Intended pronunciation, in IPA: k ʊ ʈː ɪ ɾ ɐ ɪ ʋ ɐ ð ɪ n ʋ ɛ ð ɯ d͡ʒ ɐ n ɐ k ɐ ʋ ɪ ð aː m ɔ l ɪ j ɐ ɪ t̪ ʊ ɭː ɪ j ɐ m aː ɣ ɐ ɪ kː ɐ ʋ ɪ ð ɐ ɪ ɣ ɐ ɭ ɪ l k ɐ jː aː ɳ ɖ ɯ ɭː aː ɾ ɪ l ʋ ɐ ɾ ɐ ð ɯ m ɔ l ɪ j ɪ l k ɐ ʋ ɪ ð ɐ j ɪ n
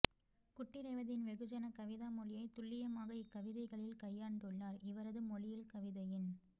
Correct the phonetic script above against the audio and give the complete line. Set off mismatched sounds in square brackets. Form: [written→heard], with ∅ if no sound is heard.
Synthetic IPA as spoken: k ʊ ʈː ɪ ɾ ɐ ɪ ʋ ɐ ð ɪ n ʋ ɛ [ð→ɣ] ɯ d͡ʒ ɐ n ɐ k ɐ ʋ ɪ ð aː m ɔ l ɪ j ɐ ɪ t̪ ʊ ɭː ɪ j ɐ m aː ɣ ɐ ɪ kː ɐ ʋ ɪ ð ɐ ɪ ɣ ɐ ɭ ɪ l k ɐ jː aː ɳ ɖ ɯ ɭː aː ɾ ɪ [l→∅] ʋ ɐ ɾ ɐ ð ɯ m ɔ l ɪ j ɪ l k ɐ ʋ ɪ ð ɐ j ɪ n